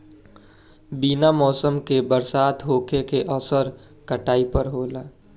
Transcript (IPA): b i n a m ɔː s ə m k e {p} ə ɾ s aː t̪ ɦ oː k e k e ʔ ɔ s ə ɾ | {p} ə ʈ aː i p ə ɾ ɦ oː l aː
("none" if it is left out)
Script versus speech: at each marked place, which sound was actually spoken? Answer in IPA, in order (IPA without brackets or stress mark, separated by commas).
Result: b, k